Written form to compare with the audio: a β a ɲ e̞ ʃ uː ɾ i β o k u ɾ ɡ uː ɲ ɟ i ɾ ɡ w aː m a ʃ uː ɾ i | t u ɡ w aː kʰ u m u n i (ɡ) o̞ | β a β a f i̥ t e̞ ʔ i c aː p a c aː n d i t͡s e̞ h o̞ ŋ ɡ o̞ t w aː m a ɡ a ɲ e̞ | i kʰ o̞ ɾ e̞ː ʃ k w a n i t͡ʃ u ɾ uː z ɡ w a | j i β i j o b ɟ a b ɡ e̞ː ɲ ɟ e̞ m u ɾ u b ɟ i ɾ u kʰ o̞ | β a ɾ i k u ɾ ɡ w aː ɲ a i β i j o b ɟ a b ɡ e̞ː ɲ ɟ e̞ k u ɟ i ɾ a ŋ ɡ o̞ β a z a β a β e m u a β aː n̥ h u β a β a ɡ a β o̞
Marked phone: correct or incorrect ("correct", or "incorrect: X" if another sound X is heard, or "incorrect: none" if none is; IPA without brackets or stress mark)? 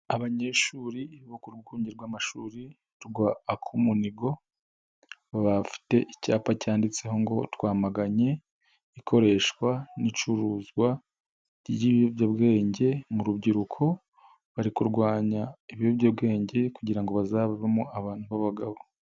correct